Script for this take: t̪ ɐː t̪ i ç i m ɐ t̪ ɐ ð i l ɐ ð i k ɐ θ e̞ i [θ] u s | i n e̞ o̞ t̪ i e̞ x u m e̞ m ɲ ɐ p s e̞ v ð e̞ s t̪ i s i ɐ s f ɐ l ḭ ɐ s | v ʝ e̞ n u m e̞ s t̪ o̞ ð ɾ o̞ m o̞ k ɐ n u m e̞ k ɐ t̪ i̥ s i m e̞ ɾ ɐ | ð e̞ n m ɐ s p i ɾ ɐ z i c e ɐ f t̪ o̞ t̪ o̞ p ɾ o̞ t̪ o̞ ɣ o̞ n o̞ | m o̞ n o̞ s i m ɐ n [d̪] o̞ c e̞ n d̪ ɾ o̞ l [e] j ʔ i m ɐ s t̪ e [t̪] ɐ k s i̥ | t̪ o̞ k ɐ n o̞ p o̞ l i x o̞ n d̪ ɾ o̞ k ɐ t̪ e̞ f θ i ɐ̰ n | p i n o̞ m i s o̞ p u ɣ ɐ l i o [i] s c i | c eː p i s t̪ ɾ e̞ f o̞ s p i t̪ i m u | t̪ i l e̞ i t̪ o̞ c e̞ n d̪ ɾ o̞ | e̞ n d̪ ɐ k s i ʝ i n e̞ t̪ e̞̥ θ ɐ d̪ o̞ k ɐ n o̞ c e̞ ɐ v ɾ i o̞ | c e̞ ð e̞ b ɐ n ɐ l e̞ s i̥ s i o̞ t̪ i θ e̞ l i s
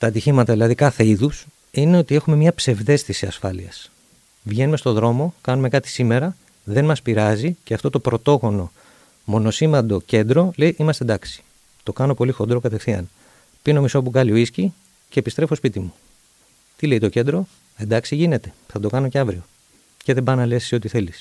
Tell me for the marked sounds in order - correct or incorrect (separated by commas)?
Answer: incorrect, correct, correct, incorrect, correct